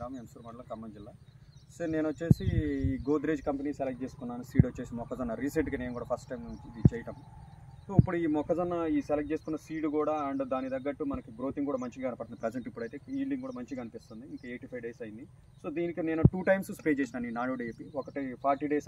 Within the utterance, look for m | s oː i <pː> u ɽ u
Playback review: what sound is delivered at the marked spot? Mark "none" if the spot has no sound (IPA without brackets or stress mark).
pː